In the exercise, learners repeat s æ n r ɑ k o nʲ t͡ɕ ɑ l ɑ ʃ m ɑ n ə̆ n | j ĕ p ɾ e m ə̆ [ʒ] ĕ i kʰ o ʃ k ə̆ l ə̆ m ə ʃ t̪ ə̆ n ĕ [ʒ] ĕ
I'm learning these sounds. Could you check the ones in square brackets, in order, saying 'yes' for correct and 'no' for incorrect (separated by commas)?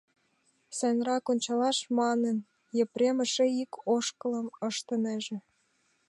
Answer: no, yes